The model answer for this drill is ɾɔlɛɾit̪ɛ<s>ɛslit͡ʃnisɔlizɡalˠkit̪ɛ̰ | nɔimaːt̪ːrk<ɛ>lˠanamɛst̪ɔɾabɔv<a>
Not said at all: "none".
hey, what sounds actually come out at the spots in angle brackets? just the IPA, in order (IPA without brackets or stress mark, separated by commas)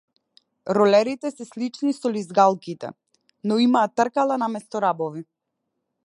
s, a, i